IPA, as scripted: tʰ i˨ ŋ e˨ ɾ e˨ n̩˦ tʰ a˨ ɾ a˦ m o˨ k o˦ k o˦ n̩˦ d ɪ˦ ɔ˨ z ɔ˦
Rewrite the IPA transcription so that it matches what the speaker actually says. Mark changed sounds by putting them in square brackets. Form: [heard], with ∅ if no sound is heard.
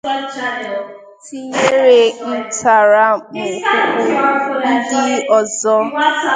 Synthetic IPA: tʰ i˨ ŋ [e˦] ɾ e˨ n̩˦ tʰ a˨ ɾ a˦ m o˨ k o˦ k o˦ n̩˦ d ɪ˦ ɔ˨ z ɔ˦